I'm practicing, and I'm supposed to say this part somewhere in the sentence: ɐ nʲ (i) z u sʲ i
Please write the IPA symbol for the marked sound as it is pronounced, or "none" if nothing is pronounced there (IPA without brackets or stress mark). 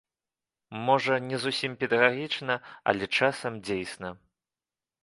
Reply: ɛ